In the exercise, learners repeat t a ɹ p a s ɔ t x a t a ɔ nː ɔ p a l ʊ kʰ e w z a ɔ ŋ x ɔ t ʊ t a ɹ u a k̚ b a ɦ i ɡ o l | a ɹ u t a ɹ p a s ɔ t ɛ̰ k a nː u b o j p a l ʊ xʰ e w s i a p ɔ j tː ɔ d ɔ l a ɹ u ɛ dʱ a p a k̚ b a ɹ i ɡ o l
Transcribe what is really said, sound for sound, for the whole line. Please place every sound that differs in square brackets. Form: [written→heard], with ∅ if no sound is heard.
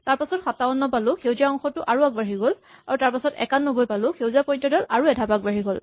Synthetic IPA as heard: t a ɹ p a s ɔ t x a t a ɔ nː ɔ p a l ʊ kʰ e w z a ɔ ŋ x ɔ t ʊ [t→ʔ] a ɹ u a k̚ b a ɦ i ɡ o l | a ɹ u t a ɹ p a s ɔ t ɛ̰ k a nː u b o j p a l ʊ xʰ e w [s→z] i a p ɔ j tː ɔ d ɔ l a ɹ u ɛ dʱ a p a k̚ b a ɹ i ɡ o l

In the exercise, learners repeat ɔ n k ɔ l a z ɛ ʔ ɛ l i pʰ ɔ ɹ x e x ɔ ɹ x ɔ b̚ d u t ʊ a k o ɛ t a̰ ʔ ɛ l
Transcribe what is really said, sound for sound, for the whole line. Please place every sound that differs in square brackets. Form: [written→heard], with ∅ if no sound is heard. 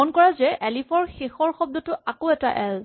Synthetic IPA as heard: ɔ n k ɔ [l→ɹ] a z ɛ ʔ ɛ l i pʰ ɔ ɹ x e x ɔ ɹ x ɔ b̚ d [u→ɔ] t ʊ a k o ɛ t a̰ ʔ ɛ l

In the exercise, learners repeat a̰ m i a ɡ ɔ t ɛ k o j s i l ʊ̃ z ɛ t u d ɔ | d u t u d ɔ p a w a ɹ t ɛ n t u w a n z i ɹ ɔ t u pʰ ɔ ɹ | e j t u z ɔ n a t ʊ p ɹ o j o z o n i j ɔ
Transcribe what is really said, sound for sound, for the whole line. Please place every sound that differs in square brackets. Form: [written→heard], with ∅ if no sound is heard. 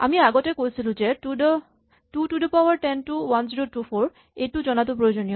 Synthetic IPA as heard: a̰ m i a ɡ ɔ t ɛ k o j s i l ʊ̃ z ɛ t u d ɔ | [d→t] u t u d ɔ p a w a ɹ t ɛ n t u w a n z i ɹ [ɔ→o] t u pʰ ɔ ɹ | e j t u z ɔ n a t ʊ p ɹ o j o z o n i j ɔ

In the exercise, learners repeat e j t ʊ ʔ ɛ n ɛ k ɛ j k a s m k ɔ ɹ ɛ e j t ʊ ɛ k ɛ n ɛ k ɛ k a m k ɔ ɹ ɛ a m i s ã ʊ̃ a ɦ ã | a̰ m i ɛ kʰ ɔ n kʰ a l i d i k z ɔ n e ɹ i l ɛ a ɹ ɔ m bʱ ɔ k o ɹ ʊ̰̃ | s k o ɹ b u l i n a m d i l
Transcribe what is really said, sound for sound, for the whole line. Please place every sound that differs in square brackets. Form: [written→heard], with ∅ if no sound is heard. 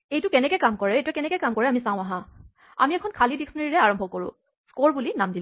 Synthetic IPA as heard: e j t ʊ [ʔ→k] ɛ n ɛ k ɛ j k a [s→∅] m k ɔ ɹ ɛ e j t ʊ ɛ k ɛ n ɛ k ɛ k a m k ɔ ɹ ɛ a m i s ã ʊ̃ a ɦ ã | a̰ m i ɛ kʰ ɔ n kʰ a l i d i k [z→s] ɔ n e ɹ i [l→ɹ] ɛ a ɹ ɔ m bʱ ɔ k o ɹ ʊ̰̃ | s k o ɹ b u l i n a m d i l

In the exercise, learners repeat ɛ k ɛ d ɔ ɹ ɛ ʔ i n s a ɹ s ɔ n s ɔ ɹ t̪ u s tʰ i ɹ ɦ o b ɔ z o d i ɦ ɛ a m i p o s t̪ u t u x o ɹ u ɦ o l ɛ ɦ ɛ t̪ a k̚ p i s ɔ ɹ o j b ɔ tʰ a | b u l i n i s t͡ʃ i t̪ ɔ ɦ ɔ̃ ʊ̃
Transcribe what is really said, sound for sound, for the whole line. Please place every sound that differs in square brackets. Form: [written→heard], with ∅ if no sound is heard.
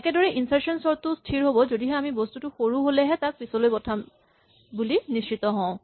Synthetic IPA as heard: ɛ k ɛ d ɔ ɹ ɛ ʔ i n s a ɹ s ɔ n s ɔ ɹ t̪ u s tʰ i ɹ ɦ o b ɔ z o d i ɦ ɛ a m i [p→b] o s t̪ u t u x o ɹ u ɦ o l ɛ ɦ ɛ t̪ a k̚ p i s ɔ [ɹ→l] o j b ɔ tʰ a | b u l i n i s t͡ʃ i t̪ ɔ ɦ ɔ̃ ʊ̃

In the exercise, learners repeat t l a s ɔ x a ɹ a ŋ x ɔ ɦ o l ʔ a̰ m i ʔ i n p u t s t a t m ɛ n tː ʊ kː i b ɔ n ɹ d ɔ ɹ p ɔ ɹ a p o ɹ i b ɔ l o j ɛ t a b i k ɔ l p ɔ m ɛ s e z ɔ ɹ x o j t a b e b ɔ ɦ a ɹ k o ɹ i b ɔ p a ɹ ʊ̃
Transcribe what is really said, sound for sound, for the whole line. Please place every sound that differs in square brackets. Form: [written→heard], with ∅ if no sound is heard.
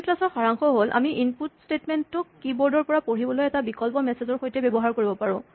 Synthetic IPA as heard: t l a s ɔ x a ɹ a ŋ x ɔ ɦ o l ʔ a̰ m i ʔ i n p u t s t [a→e] t m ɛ n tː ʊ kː i b ɔ [n→∅] ɹ d ɔ ɹ p ɔ ɹ a p o ɹ i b ɔ l o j ɛ t a b i k ɔ l p ɔ m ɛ s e z ɔ ɹ x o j t [a→ɛ] b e b ɔ ɦ a ɹ k o ɹ i b ɔ p a ɹ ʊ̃

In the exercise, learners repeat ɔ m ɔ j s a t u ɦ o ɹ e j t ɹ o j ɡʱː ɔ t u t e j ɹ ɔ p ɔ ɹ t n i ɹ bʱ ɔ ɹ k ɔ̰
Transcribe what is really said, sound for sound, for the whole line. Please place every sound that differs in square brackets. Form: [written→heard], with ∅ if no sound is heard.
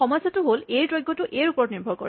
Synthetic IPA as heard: ɔ m ɔ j s a t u ɦ o [ɹ→l] e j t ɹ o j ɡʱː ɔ t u [t→ʔ] e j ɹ [ɔ→u] p ɔ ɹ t n i ɹ bʱ ɔ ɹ k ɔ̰

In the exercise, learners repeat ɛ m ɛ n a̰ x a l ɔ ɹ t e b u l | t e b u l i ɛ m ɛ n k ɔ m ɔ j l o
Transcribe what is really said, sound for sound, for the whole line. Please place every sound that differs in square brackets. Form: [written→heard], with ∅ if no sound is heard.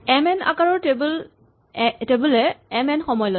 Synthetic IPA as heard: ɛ m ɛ n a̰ [x→k] a [l→ɹ] ɔ ɹ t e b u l | t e b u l [i→ɛ] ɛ m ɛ n [k→x] ɔ m ɔ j l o

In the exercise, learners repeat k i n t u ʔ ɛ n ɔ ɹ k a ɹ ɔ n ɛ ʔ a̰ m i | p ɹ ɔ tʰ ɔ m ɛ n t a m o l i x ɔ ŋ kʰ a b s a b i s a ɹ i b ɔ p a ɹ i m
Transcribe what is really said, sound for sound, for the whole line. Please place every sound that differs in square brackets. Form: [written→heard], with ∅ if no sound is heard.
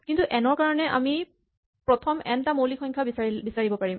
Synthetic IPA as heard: k i n t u ʔ ɛ n ɔ ɹ k a ɹ ɔ n ɛ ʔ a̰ m i | p ɹ ɔ tʰ ɔ m ɛ n t a m o l i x ɔ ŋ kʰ a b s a b i s a ɹ i b ɔ p a ɹ i m

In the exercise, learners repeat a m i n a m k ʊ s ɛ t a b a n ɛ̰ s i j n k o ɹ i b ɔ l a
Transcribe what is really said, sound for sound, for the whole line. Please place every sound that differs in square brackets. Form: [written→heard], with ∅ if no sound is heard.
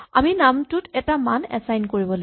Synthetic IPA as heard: a m i n a m [k→t] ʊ [s→t] ɛ t a [b→m] a n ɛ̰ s [i→a] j n k o ɹ i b ɔ l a

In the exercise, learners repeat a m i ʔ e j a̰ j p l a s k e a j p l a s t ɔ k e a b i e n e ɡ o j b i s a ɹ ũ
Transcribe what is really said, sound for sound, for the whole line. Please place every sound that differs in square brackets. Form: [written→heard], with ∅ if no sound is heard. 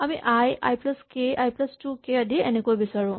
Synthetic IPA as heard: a m i ʔ [e→a] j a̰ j p l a s k e a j p l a s t [ɔ→u] k e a [b→d] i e n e [ɡ→k] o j b i s a ɹ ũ

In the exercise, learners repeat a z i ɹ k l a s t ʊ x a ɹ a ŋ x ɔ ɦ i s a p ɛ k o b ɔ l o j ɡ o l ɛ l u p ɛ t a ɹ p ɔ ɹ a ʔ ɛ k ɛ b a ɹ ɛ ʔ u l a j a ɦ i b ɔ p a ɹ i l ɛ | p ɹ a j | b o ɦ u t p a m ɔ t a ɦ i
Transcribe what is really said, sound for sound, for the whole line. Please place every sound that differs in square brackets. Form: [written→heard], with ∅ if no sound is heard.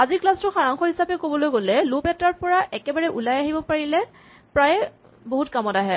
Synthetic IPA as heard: a z i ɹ k l a s t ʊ x a ɹ a ŋ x ɔ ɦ i s a p ɛ k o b ɔ l o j ɡ o l ɛ l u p ɛ t a ɹ p ɔ ɹ a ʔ ɛ k ɛ b a ɹ ɛ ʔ u l a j a ɦ i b ɔ p a ɹ i l ɛ | p ɹ a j | b o ɦ u t [p→k] a m ɔ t a ɦ [i→ɛ]

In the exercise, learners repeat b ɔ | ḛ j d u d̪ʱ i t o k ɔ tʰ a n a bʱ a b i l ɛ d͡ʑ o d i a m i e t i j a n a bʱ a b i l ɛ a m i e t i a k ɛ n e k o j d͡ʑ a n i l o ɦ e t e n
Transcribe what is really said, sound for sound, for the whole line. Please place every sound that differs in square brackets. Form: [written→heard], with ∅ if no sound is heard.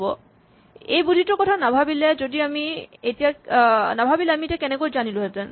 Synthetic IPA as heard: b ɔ | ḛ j [d→b] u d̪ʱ i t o k ɔ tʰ a n a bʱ a b i l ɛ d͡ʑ o d i a m i e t i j a n a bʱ a b i l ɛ a m i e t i a k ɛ n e k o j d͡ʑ a n i l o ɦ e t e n

